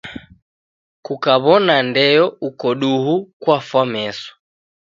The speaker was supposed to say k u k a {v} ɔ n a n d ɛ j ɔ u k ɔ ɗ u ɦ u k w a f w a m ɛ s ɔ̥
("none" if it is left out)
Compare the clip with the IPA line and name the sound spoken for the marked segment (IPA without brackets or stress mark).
β